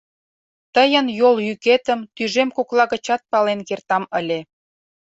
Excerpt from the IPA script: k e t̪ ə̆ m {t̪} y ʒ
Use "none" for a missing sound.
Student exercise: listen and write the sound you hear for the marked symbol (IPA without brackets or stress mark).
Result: t̪